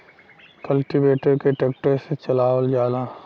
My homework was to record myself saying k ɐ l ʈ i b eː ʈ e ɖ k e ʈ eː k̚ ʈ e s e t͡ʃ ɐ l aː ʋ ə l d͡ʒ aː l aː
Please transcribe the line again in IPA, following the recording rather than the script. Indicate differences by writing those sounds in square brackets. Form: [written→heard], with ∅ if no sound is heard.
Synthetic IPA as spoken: k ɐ l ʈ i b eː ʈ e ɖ k e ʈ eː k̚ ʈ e s e t͡ʃ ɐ l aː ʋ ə l d͡ʒ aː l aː